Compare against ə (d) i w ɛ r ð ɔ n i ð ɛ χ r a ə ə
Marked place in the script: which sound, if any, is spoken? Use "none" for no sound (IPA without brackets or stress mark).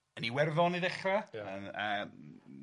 n